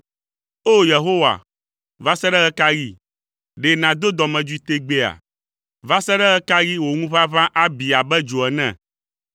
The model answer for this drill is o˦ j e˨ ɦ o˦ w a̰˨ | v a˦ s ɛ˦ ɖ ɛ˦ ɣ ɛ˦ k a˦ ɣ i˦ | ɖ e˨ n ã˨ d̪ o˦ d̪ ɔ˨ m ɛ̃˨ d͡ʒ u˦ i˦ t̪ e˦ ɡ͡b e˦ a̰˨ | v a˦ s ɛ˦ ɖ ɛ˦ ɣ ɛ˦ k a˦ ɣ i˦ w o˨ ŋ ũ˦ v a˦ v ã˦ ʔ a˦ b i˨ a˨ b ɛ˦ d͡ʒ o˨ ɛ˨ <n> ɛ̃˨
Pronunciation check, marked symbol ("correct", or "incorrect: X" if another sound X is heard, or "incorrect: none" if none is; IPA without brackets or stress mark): correct